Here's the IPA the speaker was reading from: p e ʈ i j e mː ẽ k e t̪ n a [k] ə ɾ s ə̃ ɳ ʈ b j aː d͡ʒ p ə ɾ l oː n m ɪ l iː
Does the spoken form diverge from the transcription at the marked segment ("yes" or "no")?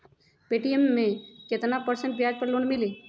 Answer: yes